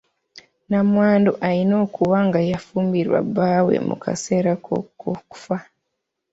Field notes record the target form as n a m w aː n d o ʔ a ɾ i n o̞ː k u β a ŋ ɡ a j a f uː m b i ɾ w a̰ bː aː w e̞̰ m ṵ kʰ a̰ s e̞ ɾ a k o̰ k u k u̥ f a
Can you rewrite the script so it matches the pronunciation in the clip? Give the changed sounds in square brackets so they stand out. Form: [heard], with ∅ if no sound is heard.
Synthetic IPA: n a m w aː n d o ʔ a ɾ i n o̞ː k u β a ŋ ɡ a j a f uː m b i ɾ w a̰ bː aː w e̞̰ m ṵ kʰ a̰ s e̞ ɾ a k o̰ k [o] k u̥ f a